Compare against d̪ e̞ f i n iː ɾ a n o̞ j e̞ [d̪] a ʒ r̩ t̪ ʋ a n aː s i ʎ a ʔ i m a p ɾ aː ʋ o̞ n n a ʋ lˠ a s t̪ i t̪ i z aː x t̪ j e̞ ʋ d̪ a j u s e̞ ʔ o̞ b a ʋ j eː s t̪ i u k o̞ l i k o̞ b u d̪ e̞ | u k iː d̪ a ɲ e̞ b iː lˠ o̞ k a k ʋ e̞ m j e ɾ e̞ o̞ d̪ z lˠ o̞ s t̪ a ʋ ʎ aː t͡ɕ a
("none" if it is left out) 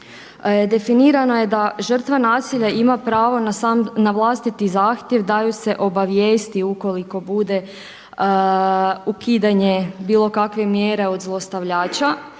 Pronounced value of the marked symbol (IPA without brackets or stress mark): d̪